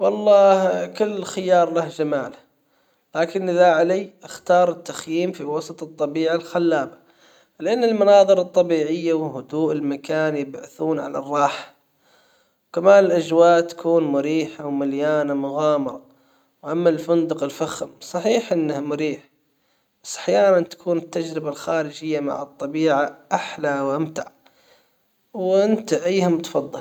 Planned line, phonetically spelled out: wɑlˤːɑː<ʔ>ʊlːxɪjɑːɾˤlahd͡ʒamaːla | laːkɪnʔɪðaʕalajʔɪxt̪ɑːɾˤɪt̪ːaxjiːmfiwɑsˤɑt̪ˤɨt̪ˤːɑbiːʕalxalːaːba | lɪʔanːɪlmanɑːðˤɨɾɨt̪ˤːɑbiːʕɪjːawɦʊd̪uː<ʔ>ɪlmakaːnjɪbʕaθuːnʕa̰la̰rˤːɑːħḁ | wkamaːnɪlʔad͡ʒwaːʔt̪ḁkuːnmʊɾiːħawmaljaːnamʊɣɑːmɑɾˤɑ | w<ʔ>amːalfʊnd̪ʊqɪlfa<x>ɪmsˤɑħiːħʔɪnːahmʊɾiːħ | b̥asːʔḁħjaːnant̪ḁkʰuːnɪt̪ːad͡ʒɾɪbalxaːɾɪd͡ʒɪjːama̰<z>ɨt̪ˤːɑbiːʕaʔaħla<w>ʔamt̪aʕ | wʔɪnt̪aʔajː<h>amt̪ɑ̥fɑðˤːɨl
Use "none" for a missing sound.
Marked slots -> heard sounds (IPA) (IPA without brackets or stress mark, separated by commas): k, ʔ, ʔ, x, ʕ, w, h